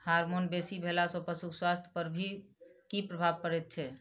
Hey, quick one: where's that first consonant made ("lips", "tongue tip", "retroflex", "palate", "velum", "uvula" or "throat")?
throat